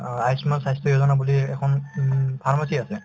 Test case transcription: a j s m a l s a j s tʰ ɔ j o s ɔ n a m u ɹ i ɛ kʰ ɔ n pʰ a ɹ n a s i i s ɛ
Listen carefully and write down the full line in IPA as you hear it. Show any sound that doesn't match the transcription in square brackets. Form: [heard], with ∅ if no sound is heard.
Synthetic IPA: a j s m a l s a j s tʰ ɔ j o [z] ɔ n a [b] u [l] i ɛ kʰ ɔ n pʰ a ɹ [m] a s i [a] s ɛ